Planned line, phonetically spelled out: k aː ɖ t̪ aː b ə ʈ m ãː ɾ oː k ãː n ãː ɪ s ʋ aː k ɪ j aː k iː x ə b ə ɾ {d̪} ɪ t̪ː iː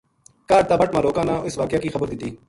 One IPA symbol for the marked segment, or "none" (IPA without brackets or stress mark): d̪